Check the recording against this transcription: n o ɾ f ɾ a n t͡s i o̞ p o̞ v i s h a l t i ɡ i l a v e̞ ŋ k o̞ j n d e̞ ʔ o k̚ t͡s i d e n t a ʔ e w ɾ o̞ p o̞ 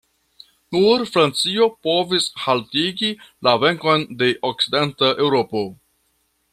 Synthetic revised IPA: n u ɾ f ɾ a n t͡s i o̞ p o̞ v i s h a l t i ɡ i l a v e̞ ŋ k o̞ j n d e̞ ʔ o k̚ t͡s i d e n t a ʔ e w ɾ o̞ p o̞